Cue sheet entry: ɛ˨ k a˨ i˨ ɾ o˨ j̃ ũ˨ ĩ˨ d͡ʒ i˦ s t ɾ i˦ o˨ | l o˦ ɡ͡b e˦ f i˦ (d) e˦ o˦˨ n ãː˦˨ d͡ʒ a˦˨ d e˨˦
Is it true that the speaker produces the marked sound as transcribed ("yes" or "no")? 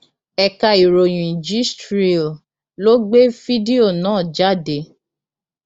yes